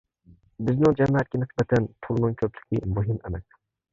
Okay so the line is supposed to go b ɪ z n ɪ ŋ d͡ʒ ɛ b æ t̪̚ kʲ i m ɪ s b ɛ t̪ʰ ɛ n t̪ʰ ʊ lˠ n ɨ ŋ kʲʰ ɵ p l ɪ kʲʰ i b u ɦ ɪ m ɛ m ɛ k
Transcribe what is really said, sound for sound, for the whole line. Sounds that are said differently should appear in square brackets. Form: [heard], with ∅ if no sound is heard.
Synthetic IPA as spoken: b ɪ z n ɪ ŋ d͡ʒ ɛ [m] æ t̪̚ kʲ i [n] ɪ s b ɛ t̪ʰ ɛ n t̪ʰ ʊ lˠ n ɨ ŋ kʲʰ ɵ p l ɪ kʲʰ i [m] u ɦ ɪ m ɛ m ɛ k